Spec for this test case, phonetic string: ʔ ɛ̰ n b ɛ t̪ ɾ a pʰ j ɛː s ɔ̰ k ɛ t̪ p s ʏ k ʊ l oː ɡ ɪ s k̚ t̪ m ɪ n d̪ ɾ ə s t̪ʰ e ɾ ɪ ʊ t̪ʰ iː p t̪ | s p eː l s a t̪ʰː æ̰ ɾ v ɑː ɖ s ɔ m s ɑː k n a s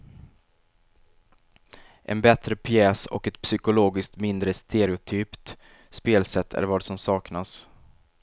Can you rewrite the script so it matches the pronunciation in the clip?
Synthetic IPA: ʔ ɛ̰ n b ɛ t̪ ɾ ə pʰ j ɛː s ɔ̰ k ɛ t̪ p s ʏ k ʊ l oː ɡ ɪ s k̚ t̪ m ɪ n d̪ ɾ ə s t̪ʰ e ɾ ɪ ʊ t̪ʰ yː p t̪ | s p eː l s ɛ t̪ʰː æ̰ ɾ v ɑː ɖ s ɔ m s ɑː k n a s